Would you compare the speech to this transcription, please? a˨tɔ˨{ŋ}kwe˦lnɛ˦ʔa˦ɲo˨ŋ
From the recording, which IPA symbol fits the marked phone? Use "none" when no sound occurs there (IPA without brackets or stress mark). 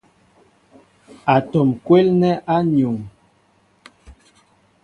m